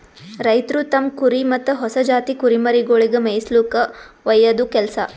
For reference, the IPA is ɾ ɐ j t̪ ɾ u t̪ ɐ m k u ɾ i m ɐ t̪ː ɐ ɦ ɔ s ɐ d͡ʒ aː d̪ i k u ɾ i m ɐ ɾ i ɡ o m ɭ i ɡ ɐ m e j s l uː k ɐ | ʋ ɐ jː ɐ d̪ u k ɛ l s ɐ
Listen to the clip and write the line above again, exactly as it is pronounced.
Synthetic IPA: ɾ ɐ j t̪ ɾ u t̪ ɐ m k u ɾ i m ɐ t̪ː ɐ ɦ ɔ s ɐ d͡ʒ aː t̪ i k u ɾ i m ɐ ɾ i ɡ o ɭ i ɡ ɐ m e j s l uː k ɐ | ʋ ɐ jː ɐ d̪ u k ɛ l s ɐ